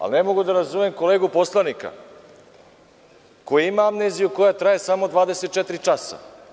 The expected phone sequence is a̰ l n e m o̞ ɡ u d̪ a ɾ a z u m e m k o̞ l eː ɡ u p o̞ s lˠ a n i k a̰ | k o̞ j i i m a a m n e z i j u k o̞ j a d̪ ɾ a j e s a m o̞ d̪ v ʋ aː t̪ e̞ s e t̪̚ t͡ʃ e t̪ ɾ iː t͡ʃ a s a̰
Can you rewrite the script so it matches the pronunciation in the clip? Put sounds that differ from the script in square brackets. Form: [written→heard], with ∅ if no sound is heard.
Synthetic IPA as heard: a̰ l n e m o̞ ɡ u d̪ a ɾ a z u m e m k o̞ l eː ɡ u p o̞ s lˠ a n i k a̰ | k o̞ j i i m a a m n e z i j u k o̞ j a [d̪→t̪] ɾ a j e s a m o̞ d̪ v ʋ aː [t̪→d̪] e̞ s e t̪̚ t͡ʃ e t̪ ɾ [iː→i] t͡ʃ a s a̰